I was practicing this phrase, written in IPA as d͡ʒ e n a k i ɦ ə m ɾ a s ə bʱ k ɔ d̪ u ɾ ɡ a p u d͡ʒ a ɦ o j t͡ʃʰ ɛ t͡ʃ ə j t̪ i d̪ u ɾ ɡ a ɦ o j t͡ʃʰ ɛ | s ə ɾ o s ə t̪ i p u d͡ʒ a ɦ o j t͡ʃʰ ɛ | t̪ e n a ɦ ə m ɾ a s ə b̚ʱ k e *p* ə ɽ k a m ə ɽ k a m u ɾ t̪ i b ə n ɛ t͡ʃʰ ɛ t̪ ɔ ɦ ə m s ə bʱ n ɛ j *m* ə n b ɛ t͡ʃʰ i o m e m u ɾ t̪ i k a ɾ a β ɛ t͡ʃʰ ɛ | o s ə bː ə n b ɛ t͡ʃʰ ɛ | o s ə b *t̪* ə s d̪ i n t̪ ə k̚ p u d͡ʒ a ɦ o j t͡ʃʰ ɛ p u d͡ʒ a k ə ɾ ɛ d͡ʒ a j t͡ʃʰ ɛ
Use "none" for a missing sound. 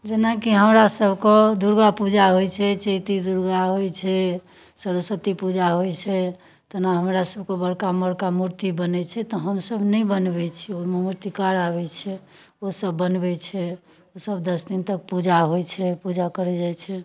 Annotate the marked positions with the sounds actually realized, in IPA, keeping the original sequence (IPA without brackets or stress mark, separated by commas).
b, b, d̪